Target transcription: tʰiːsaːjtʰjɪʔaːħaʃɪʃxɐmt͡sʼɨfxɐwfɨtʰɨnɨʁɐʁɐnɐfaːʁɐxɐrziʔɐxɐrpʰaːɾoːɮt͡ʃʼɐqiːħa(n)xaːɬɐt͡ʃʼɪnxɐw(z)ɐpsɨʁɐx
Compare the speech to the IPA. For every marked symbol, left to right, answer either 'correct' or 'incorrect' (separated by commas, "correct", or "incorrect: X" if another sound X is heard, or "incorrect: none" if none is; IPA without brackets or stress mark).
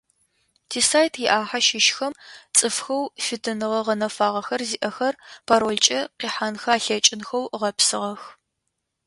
correct, incorrect: ʁ